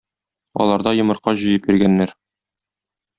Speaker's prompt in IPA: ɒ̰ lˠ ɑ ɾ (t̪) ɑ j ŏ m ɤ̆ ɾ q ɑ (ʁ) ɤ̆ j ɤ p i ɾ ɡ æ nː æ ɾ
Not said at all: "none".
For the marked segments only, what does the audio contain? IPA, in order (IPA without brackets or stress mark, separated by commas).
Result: d̪, ʑ